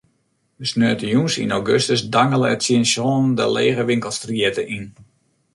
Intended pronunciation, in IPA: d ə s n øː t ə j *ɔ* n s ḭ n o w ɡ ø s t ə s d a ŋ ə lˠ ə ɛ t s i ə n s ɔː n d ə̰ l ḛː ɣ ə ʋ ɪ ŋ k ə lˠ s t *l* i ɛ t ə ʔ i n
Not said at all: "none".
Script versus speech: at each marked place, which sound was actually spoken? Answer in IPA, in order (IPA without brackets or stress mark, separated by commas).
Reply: u, r